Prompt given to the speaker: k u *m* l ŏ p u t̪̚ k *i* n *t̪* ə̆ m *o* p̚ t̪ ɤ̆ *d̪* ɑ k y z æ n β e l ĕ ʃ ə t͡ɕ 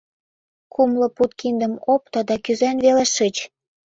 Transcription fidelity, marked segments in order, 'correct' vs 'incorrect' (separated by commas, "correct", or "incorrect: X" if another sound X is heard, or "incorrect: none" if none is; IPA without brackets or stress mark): correct, correct, incorrect: d̪, correct, correct